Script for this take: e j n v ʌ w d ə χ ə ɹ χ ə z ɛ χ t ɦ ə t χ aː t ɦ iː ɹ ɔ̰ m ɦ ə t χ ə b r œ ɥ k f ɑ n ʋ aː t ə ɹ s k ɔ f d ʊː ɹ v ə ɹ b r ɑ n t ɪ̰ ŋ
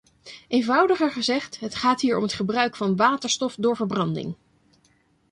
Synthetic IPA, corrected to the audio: e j n v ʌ w d ə χ ə ɹ χ ə z ɛ χ t ɦ ə t χ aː t ɦ iː ɹ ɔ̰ m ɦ ə t χ ə b r œ ɥ k f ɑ n ʋ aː t ə ɹ s t ɔ f d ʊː ɹ v ə ɹ b r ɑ n d ɪ̰ ŋ